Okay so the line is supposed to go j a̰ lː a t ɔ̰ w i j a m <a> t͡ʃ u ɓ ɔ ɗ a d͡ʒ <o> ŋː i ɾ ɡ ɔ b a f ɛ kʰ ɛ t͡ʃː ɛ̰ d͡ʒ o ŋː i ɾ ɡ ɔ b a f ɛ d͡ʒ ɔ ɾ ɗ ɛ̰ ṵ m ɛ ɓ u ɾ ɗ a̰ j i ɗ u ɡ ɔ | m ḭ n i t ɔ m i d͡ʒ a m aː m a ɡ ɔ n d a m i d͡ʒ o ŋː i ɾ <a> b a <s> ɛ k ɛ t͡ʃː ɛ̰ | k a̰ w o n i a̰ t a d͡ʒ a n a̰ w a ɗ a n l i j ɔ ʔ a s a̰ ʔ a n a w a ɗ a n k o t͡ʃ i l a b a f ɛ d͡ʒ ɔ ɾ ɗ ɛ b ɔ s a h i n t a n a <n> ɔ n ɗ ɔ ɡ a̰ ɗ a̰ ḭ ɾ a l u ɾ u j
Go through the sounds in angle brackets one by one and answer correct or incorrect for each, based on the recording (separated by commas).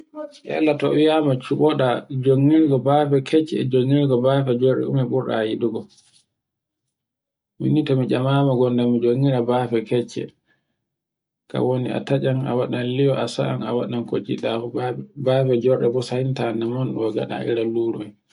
correct, correct, correct, incorrect, incorrect